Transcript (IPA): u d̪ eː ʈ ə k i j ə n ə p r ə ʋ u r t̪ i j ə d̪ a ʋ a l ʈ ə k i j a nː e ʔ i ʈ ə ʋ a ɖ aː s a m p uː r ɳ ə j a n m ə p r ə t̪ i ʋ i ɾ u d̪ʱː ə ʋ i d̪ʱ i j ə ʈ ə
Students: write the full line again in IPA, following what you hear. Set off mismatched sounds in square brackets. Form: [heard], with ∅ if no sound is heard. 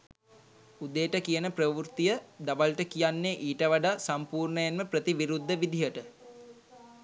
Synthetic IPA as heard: u d̪ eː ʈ ə k i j ə n ə p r ə ʋ u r t̪ i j ə d̪ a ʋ a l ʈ ə k i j a nː e ʔ [iː] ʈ ə ʋ a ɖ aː s a m p uː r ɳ ə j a n m ə p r ə t̪ i ʋ i ɾ u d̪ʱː ə ʋ i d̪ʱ i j ə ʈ ə